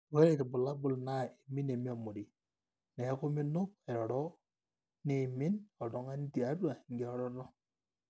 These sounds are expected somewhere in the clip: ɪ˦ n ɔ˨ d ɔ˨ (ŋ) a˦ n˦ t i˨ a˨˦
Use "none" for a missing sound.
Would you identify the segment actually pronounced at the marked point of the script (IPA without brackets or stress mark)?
ŋ